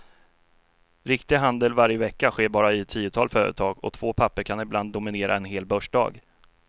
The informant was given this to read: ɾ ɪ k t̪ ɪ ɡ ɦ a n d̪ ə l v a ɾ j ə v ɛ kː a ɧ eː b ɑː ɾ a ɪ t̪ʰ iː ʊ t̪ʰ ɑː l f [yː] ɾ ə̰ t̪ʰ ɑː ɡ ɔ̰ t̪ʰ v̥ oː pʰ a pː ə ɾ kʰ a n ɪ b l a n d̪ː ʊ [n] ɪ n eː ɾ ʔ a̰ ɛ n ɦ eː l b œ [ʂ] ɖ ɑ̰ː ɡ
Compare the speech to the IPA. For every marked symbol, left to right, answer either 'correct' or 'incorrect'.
incorrect: œː, incorrect: m, correct

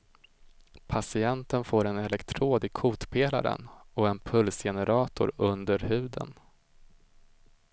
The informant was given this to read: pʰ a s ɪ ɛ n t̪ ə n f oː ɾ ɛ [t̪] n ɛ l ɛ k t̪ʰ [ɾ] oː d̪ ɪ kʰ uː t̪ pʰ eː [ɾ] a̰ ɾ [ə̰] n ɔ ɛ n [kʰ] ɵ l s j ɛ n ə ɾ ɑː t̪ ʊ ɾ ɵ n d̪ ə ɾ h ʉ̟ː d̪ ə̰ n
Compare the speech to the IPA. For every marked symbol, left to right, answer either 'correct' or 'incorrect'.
incorrect: none, correct, incorrect: l, correct, incorrect: pʰ

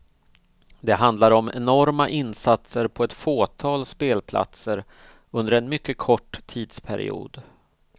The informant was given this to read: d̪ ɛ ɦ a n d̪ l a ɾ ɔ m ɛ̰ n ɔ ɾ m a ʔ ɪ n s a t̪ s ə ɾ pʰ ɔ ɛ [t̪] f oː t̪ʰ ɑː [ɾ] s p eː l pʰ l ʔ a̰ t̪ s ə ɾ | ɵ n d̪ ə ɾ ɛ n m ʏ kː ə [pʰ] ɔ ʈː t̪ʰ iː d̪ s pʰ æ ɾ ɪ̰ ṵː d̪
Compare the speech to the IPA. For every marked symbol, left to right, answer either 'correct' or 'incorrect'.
correct, incorrect: l, incorrect: kʰ

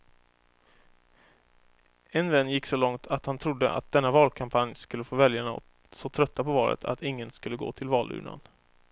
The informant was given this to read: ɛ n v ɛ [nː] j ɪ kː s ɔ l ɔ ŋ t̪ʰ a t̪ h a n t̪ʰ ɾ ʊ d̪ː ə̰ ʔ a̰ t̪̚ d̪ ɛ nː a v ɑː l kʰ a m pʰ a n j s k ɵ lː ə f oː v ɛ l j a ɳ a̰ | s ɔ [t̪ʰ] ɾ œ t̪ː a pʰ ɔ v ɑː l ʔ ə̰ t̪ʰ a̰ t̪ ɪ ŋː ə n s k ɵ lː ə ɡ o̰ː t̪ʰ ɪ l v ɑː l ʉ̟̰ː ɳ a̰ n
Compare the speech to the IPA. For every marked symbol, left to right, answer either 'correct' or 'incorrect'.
correct, correct

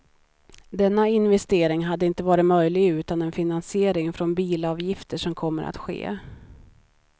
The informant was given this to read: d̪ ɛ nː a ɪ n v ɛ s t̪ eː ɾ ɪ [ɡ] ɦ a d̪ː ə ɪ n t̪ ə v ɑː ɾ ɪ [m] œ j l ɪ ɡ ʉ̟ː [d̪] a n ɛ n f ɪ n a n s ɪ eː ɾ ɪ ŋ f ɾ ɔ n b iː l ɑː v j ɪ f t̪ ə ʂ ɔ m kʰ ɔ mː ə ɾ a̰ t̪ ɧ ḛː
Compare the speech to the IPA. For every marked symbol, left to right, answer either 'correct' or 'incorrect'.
incorrect: ŋ, correct, incorrect: t̪

